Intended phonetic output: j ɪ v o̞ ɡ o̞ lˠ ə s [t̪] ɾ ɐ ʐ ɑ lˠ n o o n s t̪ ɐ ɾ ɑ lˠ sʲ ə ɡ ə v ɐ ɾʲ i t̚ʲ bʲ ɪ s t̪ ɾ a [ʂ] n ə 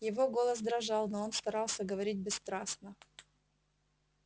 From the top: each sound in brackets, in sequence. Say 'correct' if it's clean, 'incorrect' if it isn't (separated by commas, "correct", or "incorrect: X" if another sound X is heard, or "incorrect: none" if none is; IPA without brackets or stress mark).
incorrect: d̪, incorrect: s